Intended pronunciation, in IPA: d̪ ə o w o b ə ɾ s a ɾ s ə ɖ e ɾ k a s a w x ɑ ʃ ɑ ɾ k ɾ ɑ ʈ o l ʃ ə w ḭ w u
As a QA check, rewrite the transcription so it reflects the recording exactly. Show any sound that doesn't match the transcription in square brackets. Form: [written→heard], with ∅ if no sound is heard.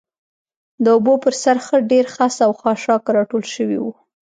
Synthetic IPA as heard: d̪ ə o [w→b] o [b→p] ə ɾ s a ɾ [s→x] ə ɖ e ɾ [k→x] a s a w x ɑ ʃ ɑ [ɾ→∅] k ɾ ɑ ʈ o l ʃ ə w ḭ w u